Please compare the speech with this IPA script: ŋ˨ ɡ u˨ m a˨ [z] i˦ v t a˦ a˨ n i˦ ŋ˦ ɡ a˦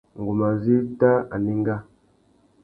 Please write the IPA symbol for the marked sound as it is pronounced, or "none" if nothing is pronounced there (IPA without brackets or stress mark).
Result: z